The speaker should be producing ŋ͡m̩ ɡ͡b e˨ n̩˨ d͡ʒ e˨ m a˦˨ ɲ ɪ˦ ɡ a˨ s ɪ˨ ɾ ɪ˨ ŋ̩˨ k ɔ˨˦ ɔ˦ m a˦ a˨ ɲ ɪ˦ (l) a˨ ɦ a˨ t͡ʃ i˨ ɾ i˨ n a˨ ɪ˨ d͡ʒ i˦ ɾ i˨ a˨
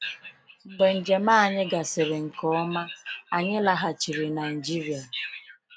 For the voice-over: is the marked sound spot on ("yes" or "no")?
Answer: yes